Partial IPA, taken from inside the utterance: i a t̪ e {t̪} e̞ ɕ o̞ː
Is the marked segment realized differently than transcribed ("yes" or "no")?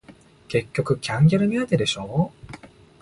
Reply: yes